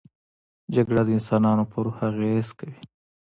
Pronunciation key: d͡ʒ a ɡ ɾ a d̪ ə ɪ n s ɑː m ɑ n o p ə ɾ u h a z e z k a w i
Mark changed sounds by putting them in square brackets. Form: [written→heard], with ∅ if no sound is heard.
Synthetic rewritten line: d͡ʒ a ɡ [ɾ→ɽ] a d̪ ə ɪ n s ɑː [m→n] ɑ n o p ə ɾ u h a [z→ɣ] e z k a w i